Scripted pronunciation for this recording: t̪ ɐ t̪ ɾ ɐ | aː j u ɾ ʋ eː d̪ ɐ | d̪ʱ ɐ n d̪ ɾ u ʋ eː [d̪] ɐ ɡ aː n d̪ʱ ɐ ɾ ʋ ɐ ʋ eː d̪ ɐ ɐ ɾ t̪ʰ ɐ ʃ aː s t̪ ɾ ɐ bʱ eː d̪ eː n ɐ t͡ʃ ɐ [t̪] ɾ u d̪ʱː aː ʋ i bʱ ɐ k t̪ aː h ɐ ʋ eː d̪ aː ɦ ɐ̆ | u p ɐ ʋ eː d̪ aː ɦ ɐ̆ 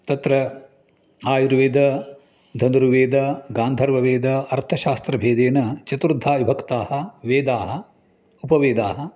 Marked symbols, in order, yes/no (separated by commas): yes, yes